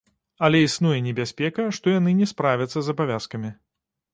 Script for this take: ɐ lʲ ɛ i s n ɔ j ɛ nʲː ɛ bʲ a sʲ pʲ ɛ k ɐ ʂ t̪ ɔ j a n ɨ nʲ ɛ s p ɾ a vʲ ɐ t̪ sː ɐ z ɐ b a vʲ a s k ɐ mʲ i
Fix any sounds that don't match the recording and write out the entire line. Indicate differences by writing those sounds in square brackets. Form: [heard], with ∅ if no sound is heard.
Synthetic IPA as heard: ɐ lʲ ɛ i s n [u] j ɛ [nʲ] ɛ bʲ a sʲ pʲ ɛ k ɐ ʂ t̪ ɔ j a n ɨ nʲ ɛ s p ɾ a vʲ ɐ t̪ sː ɐ z ɐ b a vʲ a s k ɐ mʲ i